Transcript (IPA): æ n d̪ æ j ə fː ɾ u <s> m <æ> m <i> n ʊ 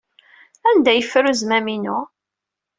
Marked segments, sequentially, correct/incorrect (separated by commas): incorrect, correct, correct